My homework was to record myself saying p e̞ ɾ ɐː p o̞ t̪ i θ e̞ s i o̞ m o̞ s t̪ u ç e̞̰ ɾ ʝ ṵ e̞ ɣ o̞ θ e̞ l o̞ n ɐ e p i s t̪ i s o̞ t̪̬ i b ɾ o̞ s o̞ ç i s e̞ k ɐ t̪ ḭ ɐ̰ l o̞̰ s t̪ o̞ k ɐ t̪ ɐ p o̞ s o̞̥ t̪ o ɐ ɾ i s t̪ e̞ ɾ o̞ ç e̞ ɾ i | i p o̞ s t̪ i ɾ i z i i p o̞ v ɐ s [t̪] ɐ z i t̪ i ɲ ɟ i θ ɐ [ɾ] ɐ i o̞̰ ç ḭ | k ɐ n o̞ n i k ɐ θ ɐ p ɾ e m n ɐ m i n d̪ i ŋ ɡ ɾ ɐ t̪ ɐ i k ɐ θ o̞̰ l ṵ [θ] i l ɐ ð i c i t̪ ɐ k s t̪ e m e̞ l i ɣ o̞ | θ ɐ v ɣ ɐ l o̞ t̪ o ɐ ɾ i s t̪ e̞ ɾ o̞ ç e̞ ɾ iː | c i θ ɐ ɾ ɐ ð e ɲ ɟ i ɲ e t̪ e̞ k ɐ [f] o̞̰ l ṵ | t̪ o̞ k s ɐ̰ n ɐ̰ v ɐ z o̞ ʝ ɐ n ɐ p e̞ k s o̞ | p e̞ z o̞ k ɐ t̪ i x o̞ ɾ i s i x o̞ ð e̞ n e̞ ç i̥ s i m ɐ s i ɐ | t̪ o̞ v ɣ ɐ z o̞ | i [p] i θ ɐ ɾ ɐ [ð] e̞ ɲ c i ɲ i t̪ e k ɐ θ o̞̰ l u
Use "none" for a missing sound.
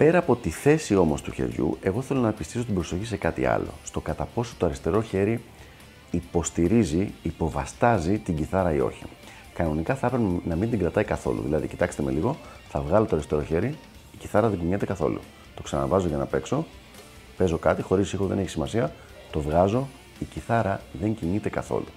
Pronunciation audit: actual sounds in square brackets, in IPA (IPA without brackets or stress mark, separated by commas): t̪, ɾ, ð, θ, c, ð